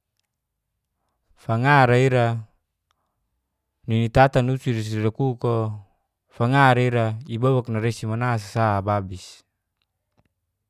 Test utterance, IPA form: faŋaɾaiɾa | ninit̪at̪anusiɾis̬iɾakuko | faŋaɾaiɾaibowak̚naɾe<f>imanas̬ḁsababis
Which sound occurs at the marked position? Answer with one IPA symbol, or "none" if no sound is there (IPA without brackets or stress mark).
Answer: s